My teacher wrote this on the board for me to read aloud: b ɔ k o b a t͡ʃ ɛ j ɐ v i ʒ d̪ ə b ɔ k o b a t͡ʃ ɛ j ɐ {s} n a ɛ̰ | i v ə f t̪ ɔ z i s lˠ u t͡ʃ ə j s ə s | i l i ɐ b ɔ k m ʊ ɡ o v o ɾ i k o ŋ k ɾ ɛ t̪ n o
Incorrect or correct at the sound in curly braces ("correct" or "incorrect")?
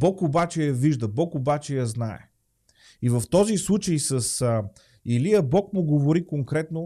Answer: incorrect